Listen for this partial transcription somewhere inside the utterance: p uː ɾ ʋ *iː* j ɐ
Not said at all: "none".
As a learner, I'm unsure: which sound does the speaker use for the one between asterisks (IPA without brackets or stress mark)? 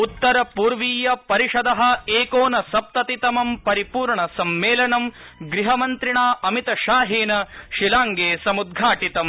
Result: iː